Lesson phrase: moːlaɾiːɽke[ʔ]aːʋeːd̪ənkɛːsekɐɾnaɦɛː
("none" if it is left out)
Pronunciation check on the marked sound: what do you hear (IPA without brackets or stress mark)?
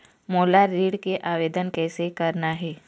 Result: ʔ